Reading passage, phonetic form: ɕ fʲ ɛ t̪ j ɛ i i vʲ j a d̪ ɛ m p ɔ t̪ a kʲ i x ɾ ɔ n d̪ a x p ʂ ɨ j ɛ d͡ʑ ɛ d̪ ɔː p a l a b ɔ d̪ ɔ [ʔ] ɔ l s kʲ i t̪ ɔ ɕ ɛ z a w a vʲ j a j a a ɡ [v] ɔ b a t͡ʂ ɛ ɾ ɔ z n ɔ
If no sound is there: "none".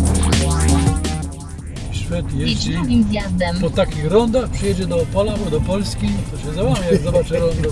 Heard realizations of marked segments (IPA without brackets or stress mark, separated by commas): p, z